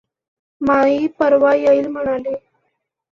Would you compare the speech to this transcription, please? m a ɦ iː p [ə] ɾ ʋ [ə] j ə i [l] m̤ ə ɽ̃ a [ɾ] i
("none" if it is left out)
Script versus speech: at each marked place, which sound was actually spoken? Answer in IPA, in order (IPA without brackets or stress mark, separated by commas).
ə, a, l, l